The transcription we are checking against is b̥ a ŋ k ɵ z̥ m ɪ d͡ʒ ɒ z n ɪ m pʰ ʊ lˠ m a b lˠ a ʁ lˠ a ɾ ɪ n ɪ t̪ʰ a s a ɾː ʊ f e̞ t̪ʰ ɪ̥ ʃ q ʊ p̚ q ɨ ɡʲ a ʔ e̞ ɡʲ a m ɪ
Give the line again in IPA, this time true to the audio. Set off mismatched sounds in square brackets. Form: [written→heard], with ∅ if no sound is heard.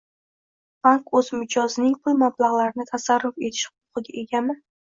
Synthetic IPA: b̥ a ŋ k ɵ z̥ m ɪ d͡ʒ ɒ z n ɪ [m→ŋ] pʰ ʊ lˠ m a b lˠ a ʁ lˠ a ɾ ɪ n ɪ t̪ʰ a s a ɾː ʊ f e̞ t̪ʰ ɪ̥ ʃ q ʊ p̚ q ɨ ɡʲ a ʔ e̞ ɡʲ a m ɪ